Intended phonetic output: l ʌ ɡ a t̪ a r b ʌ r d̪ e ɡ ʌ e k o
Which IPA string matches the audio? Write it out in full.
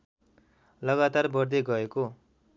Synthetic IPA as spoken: l ʌ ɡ a t̪ a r b ʌ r d̪ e ɡ ʌ e k o